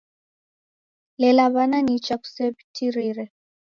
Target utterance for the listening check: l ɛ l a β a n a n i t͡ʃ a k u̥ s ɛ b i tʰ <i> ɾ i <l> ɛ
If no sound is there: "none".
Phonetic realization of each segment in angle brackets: i, ɾ

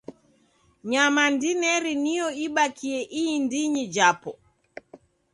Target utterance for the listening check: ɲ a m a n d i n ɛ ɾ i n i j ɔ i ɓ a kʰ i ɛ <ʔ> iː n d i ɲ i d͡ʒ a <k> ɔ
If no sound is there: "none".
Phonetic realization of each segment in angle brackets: ʔ, p

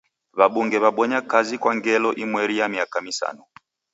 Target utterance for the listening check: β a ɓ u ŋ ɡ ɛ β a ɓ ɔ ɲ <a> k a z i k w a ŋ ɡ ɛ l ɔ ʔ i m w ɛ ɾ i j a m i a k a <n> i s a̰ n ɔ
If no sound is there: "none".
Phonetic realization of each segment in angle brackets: a, m

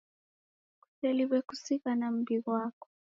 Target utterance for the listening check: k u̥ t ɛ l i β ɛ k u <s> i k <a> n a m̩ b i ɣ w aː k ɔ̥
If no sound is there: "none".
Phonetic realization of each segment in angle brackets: s, a

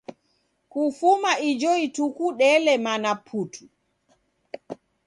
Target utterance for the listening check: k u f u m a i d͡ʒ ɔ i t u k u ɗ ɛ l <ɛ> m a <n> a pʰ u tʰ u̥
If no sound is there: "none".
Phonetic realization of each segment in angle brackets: ɛ, n

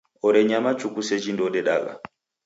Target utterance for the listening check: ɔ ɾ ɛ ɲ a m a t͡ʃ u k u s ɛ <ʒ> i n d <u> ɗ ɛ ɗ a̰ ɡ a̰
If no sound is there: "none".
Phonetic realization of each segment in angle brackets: d͡ʒ, ɔ

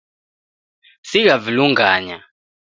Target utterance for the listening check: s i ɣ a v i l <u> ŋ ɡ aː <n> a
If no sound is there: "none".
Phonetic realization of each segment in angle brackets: u, ɲ

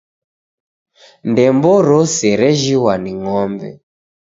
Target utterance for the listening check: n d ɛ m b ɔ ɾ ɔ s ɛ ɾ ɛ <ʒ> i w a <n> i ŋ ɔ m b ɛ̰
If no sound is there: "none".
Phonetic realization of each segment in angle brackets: ʒ, n

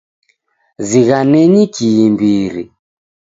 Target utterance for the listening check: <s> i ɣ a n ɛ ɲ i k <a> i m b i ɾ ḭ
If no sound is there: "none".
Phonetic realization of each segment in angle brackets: z, i

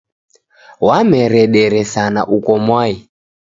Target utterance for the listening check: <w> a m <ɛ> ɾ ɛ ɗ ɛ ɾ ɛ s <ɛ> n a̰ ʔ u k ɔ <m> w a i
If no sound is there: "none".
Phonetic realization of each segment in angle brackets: w, ɛ, a, m

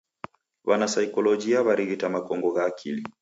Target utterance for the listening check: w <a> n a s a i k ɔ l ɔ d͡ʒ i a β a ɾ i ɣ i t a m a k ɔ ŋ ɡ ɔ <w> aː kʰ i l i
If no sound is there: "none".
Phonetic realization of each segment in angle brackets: a, ɣ

